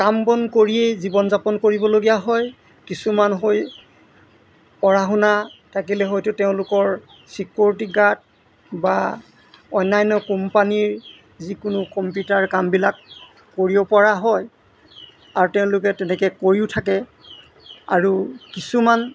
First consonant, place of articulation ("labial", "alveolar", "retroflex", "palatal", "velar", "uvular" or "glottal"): velar